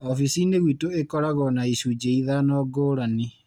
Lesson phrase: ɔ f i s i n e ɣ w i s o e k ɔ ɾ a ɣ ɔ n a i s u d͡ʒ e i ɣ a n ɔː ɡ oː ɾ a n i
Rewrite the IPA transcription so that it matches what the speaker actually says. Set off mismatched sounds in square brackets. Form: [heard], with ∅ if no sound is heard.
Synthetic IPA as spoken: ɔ f i s i n e ɣ w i [t] o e k ɔ ɾ a ɣ ɔ n a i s u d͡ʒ e i [ð] a n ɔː ɡ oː ɾ a n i